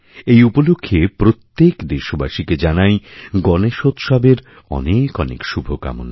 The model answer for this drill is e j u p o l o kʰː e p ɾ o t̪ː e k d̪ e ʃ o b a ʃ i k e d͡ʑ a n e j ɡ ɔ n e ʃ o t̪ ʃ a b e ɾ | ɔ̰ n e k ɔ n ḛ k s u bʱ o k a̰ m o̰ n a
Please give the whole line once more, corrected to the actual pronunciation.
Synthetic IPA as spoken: e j u p o l o kʰː e p ɾ o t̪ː e k d̪ e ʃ o b a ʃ i k e d͡ʑ a n a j ɡ ɔ n e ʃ o t̪ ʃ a b e ɾ | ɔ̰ n e k ɔ n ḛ k ʃ u bʱ o k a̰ m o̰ n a